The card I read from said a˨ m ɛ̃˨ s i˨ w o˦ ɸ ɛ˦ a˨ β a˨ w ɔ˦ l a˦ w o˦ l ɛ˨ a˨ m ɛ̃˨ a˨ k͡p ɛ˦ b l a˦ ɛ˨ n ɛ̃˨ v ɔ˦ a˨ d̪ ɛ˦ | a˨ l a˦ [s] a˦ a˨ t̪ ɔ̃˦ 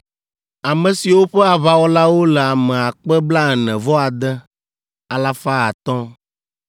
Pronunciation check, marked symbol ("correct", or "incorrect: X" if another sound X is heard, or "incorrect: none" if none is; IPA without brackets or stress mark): incorrect: f